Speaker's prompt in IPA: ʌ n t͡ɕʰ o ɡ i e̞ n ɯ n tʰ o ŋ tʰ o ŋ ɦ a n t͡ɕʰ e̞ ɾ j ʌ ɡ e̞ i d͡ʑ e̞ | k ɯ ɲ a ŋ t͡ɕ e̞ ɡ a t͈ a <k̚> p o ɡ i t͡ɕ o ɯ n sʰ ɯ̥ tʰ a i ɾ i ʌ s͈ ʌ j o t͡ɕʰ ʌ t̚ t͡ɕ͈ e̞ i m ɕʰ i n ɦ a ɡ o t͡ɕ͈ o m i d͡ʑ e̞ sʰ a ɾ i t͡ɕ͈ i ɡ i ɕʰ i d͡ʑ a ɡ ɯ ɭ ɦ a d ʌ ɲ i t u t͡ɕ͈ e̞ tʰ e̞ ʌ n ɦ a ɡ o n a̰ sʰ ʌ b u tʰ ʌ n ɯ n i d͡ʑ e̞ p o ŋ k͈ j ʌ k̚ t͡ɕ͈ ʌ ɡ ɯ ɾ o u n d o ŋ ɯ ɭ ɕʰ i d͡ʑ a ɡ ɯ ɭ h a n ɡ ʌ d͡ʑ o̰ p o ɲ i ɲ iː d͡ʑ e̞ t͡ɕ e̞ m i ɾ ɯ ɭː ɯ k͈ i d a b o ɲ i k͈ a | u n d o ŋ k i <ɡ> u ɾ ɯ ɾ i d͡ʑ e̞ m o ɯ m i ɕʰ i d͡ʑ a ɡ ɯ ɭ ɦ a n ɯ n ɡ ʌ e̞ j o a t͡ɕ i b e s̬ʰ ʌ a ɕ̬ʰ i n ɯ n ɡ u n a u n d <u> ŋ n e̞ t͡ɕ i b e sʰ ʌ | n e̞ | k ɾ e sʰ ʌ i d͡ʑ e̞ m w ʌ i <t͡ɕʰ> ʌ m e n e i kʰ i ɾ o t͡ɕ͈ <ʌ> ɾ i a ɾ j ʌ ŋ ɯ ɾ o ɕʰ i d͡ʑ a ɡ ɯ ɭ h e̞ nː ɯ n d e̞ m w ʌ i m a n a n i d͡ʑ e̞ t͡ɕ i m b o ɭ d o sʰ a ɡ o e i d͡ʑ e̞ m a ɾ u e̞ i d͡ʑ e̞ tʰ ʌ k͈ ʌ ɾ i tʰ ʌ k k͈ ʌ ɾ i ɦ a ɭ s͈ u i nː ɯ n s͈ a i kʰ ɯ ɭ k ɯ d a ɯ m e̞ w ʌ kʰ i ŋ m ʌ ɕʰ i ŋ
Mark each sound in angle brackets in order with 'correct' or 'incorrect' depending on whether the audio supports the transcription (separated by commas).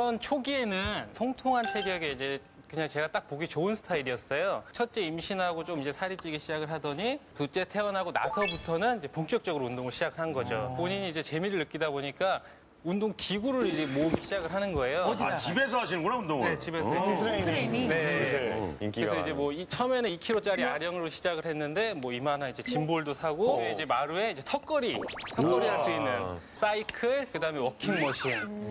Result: correct, correct, incorrect, correct, incorrect